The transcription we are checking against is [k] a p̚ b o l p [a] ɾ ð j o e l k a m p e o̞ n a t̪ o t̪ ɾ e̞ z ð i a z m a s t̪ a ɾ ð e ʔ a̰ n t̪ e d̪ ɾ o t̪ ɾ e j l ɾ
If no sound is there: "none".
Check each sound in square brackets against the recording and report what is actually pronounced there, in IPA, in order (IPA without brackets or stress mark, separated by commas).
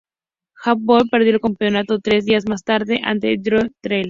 x, e